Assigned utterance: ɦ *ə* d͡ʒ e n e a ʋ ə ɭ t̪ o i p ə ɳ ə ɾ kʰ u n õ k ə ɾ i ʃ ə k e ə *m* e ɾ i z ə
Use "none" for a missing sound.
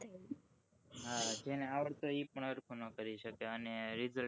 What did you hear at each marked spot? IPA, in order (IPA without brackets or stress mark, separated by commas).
a, n